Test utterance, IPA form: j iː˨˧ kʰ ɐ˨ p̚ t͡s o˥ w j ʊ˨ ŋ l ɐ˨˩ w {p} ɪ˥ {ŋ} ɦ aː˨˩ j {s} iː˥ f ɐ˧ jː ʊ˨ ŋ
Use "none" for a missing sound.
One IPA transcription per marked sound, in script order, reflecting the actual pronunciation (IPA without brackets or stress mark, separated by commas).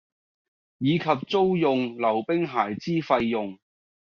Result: p, ŋ, t͡s